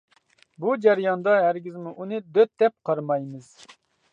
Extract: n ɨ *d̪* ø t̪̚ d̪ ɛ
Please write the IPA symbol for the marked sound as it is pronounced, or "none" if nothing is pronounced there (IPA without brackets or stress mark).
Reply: d̪